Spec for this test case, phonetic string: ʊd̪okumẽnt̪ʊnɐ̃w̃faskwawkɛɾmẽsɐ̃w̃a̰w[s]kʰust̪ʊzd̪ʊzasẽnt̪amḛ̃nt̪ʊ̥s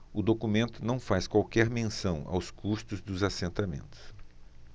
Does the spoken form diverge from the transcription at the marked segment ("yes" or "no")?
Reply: no